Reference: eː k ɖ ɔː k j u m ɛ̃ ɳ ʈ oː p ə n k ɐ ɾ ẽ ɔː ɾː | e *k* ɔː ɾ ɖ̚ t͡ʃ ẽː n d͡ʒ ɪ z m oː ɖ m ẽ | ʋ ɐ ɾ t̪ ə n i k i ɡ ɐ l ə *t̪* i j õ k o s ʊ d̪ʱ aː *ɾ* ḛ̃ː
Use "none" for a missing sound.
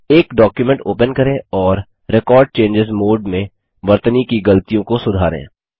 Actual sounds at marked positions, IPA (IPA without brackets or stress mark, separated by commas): k, t̪, ɾ